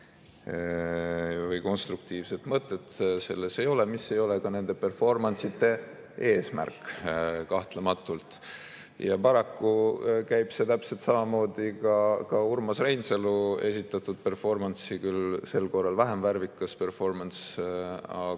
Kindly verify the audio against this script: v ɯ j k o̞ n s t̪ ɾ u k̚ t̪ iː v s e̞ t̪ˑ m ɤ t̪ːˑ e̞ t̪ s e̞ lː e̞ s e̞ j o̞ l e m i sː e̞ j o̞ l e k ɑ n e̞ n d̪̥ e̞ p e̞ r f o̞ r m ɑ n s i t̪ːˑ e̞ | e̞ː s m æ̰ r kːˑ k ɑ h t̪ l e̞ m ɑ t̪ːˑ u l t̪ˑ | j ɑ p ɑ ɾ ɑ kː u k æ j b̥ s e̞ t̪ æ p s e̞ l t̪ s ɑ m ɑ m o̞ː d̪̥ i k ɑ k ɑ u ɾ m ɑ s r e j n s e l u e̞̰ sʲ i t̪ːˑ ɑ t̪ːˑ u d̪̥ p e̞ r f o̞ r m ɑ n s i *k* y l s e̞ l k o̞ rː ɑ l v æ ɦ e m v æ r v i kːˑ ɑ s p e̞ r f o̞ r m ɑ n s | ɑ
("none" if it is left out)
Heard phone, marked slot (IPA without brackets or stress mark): k